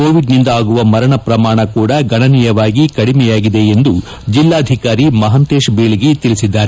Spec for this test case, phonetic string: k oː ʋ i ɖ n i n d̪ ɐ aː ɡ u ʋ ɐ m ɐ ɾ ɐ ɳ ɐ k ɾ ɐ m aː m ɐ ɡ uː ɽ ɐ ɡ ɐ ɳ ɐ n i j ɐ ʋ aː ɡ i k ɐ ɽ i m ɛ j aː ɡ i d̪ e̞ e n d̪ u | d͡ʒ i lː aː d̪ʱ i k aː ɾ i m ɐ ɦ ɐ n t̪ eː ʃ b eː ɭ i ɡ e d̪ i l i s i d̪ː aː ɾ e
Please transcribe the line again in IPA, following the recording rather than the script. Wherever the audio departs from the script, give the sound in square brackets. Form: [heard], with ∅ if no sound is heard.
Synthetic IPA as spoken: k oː ʋ i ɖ n i n d̪ ɐ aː ɡ u ʋ ɐ m ɐ ɾ ɐ ɳ ɐ [p] ɾ ɐ m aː [ɳ] ɐ [k] uː ɽ ɐ ɡ ɐ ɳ ɐ n i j ɐ ʋ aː ɡ i k ɐ ɽ i m ɛ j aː ɡ i d̪ e̞ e n d̪ u | d͡ʒ i lː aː d̪ʱ i k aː ɾ i m ɐ ɦ ɐ n t̪ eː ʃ b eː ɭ i ɡ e [t̪] i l i s i d̪ː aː ɾ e